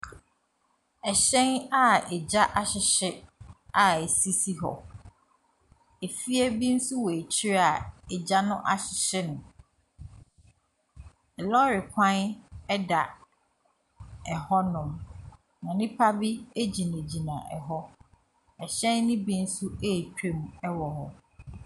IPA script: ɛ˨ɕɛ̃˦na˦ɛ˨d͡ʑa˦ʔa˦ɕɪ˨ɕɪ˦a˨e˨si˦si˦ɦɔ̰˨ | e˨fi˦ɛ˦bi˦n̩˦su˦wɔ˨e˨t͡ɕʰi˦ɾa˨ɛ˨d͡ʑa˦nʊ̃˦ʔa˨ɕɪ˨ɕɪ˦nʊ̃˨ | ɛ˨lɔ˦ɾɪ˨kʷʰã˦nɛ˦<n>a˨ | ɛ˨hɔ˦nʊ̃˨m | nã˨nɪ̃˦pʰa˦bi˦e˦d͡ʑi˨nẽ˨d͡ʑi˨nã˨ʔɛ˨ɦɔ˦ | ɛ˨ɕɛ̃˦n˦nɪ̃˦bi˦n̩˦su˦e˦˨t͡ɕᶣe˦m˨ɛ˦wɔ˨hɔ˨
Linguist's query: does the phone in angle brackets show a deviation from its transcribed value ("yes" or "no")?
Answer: yes